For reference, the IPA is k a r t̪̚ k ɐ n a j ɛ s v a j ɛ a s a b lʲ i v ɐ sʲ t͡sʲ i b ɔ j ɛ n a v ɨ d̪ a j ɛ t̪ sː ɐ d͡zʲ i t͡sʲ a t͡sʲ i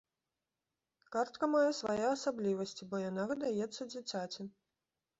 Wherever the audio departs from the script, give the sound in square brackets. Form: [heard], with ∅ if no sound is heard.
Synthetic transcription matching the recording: k a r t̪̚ k ɐ [m] a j ɛ s v a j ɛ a s a b lʲ i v ɐ sʲ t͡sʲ i b ɔ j [a] n a v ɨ d̪ a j ɛ t̪ sː ɐ d͡zʲ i t͡sʲ a t͡sʲ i